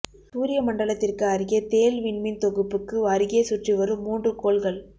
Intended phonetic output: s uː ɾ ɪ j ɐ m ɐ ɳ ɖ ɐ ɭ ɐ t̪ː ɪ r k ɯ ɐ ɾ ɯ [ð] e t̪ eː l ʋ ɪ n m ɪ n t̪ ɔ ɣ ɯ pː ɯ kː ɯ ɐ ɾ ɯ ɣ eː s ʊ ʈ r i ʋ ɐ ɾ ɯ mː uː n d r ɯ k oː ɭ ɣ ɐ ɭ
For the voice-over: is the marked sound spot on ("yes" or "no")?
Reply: no